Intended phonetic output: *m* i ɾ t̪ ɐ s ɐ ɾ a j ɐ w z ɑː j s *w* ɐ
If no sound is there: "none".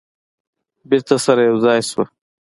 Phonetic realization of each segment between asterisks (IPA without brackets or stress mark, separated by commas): b, w